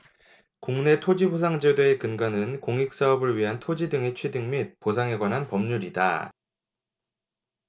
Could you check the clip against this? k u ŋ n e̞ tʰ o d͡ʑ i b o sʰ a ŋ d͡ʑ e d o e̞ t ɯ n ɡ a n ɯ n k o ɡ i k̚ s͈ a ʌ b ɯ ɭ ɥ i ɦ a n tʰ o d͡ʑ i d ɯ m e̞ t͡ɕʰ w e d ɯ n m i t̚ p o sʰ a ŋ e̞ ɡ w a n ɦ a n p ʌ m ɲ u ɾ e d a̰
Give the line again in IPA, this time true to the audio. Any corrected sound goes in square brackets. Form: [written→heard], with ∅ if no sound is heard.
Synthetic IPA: k u ŋ n e̞ tʰ o d͡ʑ i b o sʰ a ŋ d͡ʑ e d o e̞ [t→k] ɯ n ɡ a n ɯ n k o [ɡ→ŋ] i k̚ s͈ a ʌ b ɯ ɭ ɥ i ɦ a n tʰ o d͡ʑ i d ɯ [m→ŋ] e̞ t͡ɕʰ w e d ɯ [n→ŋ] m i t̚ p o sʰ a ŋ e̞ ɡ w a n ɦ a n p ʌ m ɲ u ɾ [e→i] d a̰